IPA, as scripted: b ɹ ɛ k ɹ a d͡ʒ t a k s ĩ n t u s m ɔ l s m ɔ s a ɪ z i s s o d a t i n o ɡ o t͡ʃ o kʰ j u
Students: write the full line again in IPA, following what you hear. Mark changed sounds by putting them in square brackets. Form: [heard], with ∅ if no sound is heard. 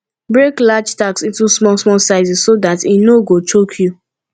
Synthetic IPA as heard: b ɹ [e] k [l] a d͡ʒ t a k s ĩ n t u s m ɔ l s m ɔ s a ɪ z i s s o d a t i n o ɡ o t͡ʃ o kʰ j u